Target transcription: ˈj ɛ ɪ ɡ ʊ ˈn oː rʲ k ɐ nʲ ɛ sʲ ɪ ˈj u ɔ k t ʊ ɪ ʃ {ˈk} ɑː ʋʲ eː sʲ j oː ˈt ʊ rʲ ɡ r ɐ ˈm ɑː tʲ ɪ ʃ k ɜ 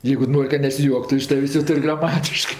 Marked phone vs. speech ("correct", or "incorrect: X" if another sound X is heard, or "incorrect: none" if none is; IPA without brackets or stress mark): incorrect: t